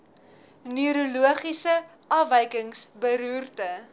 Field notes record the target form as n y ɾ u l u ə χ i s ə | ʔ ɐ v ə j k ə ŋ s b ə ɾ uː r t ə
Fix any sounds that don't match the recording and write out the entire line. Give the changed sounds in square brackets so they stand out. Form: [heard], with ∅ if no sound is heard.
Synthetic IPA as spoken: n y ɾ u l u ə χ i s ə | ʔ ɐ v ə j k ə ŋ s b ə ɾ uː r t ə